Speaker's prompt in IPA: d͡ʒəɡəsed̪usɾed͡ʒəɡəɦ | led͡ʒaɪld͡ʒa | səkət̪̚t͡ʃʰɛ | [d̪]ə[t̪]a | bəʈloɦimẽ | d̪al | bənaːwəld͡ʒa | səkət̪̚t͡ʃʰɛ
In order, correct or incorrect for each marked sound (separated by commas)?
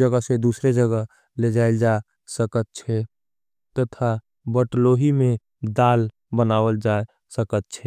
incorrect, incorrect